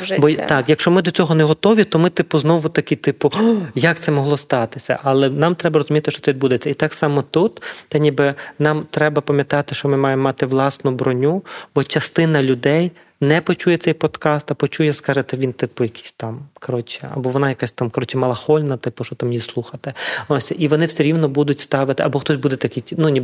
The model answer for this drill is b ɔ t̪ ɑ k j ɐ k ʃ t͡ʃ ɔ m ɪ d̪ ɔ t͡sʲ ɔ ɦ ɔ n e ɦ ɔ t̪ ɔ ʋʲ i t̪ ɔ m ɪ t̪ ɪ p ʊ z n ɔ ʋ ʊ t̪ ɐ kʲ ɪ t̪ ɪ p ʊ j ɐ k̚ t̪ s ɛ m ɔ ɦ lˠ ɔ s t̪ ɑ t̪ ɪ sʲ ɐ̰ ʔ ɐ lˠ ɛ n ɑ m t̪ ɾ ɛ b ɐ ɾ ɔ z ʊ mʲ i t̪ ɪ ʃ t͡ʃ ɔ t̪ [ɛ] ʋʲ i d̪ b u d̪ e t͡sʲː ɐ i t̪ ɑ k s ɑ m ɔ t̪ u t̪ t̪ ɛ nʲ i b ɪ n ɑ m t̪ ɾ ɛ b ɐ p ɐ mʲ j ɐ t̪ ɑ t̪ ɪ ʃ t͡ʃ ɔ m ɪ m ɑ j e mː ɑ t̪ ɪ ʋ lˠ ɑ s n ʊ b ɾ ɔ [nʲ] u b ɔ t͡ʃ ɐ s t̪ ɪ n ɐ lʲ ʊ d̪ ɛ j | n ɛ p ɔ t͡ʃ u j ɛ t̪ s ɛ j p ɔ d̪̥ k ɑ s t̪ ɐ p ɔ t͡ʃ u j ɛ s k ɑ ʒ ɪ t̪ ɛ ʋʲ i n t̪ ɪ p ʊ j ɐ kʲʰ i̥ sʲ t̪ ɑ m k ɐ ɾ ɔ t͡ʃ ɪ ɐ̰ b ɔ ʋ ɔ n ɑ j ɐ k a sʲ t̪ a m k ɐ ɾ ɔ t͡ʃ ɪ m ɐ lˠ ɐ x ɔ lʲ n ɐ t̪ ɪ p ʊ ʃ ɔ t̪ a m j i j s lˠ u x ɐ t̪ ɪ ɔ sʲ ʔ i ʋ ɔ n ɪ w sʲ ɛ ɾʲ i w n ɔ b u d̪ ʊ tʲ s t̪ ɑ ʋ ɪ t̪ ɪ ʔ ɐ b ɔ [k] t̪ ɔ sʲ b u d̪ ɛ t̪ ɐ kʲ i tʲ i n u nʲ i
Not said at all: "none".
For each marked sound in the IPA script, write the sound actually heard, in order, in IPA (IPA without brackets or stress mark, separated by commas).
ɛ, nʲ, x